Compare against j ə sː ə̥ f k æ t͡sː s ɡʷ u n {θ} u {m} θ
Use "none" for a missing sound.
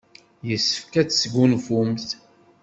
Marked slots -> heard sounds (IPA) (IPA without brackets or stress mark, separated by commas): f, m